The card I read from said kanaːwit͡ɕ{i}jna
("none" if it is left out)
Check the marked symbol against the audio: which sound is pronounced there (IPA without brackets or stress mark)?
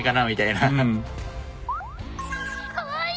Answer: a